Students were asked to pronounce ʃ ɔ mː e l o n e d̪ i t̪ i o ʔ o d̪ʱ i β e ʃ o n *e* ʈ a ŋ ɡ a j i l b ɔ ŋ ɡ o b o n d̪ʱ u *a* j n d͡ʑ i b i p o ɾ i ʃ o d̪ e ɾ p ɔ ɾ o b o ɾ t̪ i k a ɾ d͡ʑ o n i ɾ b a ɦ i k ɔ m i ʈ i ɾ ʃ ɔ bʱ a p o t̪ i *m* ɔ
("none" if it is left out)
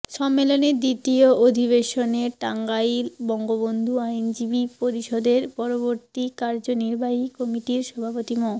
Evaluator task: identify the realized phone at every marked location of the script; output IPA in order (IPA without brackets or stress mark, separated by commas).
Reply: e, a, m